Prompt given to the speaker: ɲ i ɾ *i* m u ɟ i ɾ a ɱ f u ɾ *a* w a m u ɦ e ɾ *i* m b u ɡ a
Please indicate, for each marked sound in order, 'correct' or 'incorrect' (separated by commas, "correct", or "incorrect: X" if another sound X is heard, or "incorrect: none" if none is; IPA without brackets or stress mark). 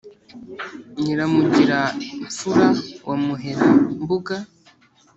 incorrect: a, correct, incorrect: a